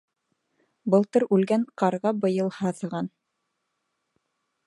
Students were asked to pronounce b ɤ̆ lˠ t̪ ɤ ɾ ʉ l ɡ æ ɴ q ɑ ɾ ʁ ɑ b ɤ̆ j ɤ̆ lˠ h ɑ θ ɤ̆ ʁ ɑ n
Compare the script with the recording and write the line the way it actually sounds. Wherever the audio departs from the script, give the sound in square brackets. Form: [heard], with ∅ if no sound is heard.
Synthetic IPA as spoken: b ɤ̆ lˠ t̪ ɤ ɾ ʉ l ɡ æ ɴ q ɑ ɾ ʁ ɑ b ɤ̆ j ɤ̆ lˠ h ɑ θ ɤ̆ ʁ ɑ n